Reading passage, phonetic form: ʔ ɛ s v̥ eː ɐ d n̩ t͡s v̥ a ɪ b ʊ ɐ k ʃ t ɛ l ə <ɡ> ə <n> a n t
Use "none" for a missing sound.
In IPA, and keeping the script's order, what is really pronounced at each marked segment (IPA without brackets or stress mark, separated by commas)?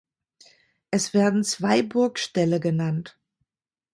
ɡ, n